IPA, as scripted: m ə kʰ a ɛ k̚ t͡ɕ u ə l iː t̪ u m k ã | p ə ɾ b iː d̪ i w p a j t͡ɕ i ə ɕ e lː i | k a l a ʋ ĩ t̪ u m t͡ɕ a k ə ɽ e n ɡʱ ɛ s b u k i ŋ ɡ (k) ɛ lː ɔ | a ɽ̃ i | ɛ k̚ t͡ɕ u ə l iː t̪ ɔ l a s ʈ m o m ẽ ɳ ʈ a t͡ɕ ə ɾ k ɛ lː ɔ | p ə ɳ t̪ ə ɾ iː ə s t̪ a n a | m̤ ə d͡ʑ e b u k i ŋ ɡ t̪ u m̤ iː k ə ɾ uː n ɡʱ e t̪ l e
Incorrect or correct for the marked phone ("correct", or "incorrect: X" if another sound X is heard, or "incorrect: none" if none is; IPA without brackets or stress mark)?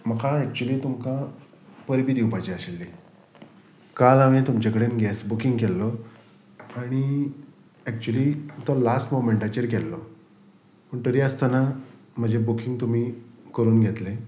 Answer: correct